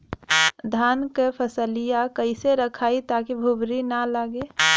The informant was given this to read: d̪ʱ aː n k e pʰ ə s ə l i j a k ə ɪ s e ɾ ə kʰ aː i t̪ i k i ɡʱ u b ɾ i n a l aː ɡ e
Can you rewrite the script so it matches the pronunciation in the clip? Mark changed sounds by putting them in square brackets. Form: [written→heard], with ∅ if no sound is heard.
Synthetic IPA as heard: d̪ʱ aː n k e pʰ ə s ə l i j a k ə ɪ s e ɾ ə kʰ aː i t̪ [i→a] k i [ɡʱ→bʱ] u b ɾ i n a l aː ɡ e

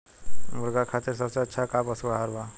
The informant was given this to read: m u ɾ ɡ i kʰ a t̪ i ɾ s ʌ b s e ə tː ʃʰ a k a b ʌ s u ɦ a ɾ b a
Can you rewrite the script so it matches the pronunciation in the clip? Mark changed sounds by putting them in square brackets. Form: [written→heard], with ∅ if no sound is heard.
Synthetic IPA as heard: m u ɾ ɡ [i→a] kʰ a t̪ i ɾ s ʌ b s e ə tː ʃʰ a k a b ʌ s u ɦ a ɾ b a

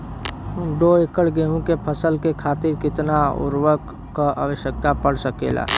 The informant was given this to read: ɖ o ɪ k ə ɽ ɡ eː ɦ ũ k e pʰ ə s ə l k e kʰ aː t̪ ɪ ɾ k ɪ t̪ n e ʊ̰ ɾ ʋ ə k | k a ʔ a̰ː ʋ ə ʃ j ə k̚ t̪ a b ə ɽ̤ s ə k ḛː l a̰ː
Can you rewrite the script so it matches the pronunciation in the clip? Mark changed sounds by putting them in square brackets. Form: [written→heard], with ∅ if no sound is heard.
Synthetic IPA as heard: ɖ o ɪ k ə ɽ ɡ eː ɦ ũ k e pʰ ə s ə l k e kʰ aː t̪ ɪ ɾ k ɪ t̪ n [e→a] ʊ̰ ɾ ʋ ə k | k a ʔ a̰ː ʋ ə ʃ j ə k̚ t̪ a [b→p] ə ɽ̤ s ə k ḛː l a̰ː

